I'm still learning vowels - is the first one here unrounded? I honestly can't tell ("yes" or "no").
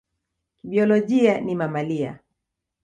yes